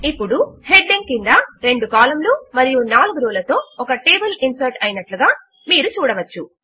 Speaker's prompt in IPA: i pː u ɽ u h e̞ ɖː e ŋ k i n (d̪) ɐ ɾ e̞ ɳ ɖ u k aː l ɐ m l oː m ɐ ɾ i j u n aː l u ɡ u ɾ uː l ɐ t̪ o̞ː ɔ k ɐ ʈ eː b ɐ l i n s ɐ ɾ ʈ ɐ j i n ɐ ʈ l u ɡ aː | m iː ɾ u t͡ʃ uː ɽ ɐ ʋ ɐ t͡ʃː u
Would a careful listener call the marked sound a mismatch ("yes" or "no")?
no